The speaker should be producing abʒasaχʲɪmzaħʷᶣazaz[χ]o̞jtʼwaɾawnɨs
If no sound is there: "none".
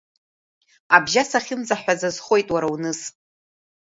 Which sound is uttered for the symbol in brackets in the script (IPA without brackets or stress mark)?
χ